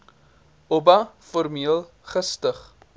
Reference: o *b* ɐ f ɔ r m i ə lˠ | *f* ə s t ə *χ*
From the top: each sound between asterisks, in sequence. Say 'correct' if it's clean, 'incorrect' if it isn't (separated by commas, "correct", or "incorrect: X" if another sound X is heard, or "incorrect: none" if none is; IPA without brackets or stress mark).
correct, incorrect: χ, correct